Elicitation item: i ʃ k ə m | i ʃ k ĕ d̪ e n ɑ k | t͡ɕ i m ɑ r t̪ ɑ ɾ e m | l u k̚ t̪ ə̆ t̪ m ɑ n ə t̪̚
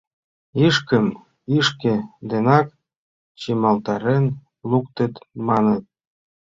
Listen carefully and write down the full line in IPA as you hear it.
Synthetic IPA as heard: i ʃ k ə m | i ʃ k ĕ d̪ e n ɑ k | t͡ɕ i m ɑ l t̪ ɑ ɾ e n | l u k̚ t̪ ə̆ t̪ m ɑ n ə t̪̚